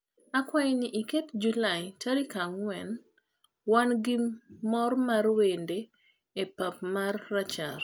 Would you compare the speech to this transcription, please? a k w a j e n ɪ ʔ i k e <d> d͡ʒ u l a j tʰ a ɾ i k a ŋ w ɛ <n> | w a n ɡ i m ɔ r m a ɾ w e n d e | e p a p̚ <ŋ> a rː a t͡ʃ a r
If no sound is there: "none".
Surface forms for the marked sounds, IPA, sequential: t, n, m

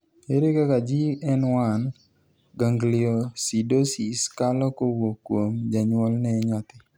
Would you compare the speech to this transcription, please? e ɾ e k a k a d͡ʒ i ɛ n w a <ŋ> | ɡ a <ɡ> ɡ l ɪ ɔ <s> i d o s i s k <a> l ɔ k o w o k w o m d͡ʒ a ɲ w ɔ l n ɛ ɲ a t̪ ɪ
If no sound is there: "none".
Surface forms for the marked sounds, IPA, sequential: n, ŋ, s, a

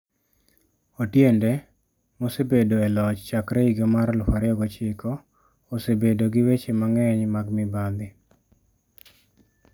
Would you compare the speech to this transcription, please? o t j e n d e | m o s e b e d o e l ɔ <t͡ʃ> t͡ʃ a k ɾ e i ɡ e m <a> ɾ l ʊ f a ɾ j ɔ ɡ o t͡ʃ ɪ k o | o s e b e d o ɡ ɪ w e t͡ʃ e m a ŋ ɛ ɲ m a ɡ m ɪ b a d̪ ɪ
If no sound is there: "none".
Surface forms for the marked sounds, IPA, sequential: t͡ʃ, a

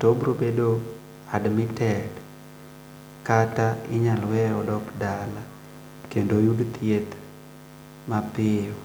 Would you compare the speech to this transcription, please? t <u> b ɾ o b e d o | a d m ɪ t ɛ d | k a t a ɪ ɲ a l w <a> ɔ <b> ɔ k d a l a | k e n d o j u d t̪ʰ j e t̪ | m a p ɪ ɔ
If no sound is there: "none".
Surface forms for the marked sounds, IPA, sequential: o, ɛ, d

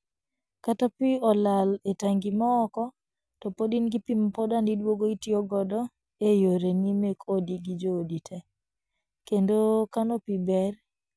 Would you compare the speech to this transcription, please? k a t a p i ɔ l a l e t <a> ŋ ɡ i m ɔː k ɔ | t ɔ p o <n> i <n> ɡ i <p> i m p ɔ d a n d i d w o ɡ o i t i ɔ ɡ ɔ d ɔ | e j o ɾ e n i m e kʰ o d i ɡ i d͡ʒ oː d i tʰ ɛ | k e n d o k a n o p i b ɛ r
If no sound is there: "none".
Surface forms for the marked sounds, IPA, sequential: a, d, n, p

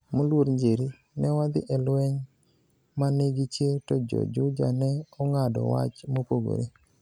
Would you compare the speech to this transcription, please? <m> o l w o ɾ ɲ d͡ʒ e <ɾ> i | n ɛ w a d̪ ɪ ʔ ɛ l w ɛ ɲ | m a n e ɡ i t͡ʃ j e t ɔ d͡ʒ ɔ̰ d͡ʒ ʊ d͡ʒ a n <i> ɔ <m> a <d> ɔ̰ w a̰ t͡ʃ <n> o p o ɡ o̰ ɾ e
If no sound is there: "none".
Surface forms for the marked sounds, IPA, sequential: m, ɾ, ɛ, ŋ, d, m

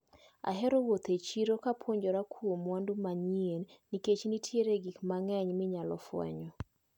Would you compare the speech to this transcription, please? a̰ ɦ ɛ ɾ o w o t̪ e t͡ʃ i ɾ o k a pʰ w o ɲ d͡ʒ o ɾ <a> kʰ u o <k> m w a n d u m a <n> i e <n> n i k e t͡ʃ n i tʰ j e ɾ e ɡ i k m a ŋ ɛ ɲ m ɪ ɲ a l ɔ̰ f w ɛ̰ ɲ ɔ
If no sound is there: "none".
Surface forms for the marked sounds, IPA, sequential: a, none, ɲ, n

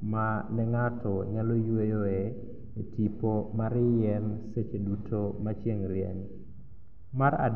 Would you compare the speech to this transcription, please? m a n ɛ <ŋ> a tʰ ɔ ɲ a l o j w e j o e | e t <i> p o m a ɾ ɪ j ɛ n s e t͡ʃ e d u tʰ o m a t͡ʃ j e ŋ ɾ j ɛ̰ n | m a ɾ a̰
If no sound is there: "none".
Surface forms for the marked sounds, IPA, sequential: ŋ, i

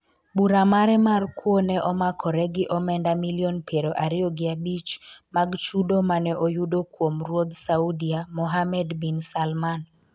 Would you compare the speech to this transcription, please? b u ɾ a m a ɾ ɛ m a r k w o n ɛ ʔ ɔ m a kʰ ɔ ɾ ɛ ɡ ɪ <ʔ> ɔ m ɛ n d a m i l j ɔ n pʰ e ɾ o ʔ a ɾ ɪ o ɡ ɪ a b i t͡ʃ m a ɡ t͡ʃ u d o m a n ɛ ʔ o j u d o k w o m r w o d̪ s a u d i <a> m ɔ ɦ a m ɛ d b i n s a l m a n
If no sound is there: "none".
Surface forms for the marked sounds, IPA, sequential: ʔ, a

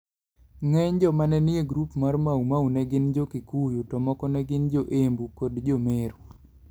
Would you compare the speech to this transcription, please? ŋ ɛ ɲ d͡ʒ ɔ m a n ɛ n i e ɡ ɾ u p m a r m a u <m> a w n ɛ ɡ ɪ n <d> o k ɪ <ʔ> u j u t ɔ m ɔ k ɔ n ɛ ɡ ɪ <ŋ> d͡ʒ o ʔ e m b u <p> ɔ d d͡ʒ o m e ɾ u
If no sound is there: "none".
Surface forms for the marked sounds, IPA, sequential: m, d͡ʒ, k, n, k

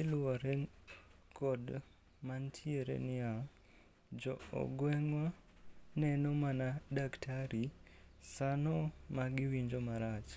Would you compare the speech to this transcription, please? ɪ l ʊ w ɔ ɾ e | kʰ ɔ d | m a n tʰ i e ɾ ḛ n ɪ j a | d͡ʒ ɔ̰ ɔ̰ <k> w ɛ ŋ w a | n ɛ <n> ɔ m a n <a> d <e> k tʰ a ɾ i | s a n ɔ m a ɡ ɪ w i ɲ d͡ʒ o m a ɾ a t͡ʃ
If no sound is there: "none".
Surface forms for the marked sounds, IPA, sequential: ɡ, n, a, a

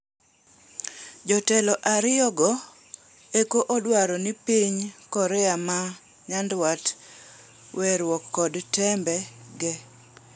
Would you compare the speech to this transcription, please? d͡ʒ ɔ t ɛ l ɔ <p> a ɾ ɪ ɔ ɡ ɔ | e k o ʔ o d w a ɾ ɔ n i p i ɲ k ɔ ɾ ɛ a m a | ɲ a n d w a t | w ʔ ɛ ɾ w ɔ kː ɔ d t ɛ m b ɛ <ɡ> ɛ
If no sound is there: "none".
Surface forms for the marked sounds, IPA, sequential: ʔ, ɡ

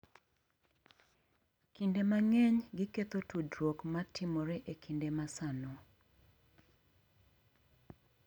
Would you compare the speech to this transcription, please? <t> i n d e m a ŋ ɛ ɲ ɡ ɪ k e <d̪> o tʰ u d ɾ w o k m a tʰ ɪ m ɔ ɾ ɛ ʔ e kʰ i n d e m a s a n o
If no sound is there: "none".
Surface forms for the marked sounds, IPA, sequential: k, t̪

